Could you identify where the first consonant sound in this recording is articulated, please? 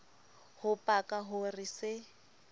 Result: glottal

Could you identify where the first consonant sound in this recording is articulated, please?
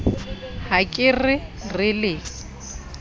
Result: glottal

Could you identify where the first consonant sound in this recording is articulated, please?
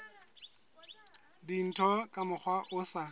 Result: alveolar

